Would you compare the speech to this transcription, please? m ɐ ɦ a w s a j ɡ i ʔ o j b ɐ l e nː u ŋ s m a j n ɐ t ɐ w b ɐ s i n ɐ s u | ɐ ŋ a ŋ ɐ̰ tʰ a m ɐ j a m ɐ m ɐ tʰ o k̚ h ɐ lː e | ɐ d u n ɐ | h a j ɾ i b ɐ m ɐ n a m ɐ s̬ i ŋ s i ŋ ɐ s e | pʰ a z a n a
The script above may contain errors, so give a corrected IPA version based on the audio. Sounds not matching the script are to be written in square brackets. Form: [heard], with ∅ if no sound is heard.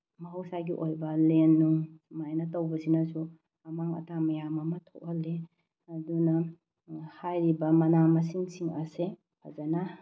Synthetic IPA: m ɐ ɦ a w s a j ɡ i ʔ o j b ɐ l e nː u ŋ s m a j n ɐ t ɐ w b ɐ s i n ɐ s u | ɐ [m] a ŋ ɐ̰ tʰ a m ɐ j a m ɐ m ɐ tʰ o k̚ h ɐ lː e | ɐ d u n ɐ | h a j ɾ i b ɐ m ɐ n a m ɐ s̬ i ŋ s i ŋ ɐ s e | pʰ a z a n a